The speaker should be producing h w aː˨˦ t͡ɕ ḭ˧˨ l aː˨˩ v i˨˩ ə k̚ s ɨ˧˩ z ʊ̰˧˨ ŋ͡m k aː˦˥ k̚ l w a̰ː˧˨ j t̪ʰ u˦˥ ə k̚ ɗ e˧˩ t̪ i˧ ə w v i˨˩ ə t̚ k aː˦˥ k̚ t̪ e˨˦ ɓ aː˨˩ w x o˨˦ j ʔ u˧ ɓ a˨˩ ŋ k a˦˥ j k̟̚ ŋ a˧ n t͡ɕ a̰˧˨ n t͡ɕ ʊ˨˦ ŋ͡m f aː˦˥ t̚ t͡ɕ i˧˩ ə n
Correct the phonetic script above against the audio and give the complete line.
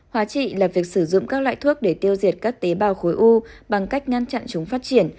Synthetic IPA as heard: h w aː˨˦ t͡ɕ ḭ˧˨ l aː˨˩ v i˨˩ ə k̚ s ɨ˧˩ z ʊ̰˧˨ ŋ͡m k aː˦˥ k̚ l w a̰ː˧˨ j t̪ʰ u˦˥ ə k̚ ɗ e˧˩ t̪ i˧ ə w z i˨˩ ə t̚ k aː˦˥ k̚ t̪ e˨˦ ɓ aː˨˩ w x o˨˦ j ʔ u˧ ɓ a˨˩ ŋ k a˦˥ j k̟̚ ŋ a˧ n t͡ɕ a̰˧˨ n t͡ɕ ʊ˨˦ ŋ͡m f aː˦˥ t̚ t͡ɕ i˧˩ ə n